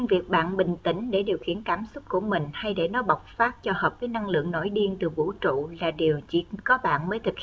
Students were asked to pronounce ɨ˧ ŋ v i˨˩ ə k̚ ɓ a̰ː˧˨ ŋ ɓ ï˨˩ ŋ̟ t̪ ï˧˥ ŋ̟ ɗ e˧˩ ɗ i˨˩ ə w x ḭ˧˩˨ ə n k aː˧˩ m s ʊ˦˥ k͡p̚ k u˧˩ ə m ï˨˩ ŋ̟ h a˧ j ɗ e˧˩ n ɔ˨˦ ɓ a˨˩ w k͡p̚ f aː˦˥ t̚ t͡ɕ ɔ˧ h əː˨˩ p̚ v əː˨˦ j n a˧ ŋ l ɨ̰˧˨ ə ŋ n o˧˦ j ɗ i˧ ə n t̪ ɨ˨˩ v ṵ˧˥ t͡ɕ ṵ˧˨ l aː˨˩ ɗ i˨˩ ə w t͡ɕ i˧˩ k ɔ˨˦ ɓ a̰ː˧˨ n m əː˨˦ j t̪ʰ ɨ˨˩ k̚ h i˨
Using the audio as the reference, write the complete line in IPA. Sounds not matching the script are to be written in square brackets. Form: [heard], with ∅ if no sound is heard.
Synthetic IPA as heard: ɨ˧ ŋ v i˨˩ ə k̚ ɓ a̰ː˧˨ [n] ɓ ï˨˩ ŋ̟ t̪ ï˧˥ ŋ̟ ɗ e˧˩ ɗ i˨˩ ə w x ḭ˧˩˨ ə n k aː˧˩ m s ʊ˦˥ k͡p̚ k u˧˩ ə m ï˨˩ ŋ̟ h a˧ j ɗ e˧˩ n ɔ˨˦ ɓ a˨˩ w k͡p̚ f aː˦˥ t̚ t͡ɕ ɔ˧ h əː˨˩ p̚ v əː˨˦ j n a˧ ŋ l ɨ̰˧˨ ə ŋ n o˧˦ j ɗ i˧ ə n t̪ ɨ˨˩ v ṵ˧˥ t͡ɕ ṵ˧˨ l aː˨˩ ɗ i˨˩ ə w t͡ɕ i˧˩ k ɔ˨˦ ɓ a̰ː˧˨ n m əː˨˦ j t̪ʰ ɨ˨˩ k̚ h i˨